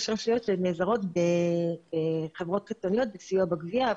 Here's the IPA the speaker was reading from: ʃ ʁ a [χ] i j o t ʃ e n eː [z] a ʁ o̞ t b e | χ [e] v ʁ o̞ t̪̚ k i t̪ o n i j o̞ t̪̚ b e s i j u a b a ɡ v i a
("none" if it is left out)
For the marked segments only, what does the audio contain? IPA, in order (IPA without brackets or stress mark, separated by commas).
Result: ʃ, z, e